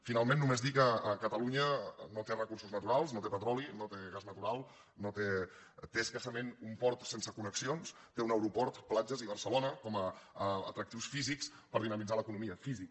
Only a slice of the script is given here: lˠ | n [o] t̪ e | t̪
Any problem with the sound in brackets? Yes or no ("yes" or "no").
no